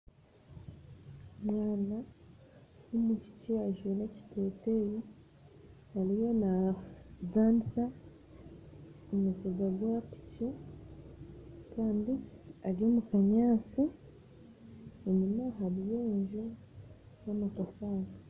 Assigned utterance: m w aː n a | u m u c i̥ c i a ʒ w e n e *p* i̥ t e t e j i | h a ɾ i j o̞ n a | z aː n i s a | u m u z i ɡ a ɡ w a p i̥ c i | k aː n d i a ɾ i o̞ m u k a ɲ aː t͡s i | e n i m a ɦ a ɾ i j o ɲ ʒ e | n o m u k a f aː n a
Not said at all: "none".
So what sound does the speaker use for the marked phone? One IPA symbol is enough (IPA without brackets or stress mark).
c